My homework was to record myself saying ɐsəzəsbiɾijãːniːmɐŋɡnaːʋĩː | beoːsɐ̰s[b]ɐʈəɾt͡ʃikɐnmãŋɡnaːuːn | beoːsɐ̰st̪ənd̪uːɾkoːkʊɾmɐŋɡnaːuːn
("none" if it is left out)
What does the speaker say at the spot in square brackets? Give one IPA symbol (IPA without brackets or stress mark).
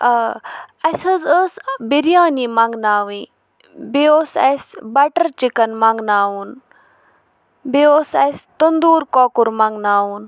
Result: b